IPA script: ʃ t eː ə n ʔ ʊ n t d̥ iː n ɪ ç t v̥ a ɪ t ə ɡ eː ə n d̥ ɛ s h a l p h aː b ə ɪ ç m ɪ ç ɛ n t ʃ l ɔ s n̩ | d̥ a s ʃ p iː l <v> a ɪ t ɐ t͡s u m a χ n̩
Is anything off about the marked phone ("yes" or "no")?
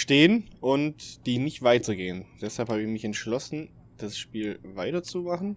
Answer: no